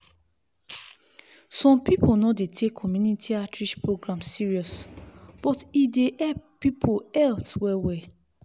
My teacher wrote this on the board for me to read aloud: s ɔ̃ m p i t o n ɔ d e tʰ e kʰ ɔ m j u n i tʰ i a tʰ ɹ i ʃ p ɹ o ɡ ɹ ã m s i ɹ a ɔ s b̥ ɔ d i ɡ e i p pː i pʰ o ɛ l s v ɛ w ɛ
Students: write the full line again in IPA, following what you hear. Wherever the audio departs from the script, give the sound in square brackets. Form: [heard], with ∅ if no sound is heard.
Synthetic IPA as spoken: s ɔ̃ m p i [p] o n ɔ d e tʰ e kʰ ɔ m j u n i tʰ i a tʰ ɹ i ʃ p ɹ o ɡ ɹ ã m s i ɹ [i] ɔ s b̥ ɔ [t] i [d] e [ɛ] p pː i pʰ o ɛ l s [w] ɛ w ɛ